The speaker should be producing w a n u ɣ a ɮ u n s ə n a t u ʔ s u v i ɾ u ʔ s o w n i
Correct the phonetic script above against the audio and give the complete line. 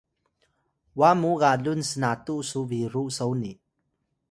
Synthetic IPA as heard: w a m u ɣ a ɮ u n s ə n a t u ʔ s u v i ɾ u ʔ s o w n i